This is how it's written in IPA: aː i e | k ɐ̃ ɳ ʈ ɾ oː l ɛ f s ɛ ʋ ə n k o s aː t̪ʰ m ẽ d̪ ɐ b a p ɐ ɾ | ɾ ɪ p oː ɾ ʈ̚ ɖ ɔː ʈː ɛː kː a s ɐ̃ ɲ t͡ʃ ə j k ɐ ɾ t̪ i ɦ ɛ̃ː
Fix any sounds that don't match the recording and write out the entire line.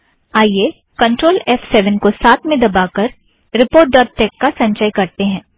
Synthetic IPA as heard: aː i e | k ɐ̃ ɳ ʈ ɾ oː l ɛ f s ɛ ʋ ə n k o s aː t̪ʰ m ẽ d̪ ɐ b a k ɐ ɾ | ɾ ɪ p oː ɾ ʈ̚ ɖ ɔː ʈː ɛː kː a s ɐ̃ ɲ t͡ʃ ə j k ɐ ɾ t̪ e ɦ ɛ̃ː